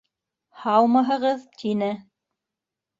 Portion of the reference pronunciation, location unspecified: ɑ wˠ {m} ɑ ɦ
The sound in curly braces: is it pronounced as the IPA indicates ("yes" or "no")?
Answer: yes